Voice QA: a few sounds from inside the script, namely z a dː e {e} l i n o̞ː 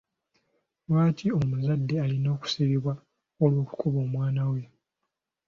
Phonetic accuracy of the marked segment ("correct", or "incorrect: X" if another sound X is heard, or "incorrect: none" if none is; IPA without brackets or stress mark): incorrect: a